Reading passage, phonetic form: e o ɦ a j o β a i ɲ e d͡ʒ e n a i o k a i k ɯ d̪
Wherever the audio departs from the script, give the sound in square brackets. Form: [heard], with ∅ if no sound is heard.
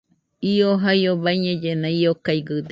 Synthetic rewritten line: [i] o ɦ a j o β a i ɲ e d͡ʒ e n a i o k a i [ɡ] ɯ d̪